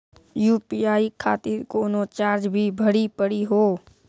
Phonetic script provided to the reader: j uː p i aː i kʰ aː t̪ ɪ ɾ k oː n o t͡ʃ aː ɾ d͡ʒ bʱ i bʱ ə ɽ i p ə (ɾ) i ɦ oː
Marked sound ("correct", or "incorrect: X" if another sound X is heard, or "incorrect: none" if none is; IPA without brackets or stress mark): incorrect: ɽ